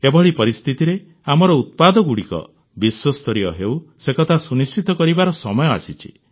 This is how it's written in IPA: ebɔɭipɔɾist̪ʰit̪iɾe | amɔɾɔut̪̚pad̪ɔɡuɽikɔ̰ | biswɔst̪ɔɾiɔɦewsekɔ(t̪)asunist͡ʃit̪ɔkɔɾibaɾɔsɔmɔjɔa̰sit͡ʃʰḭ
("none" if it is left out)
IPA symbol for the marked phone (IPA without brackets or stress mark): t̪ʰ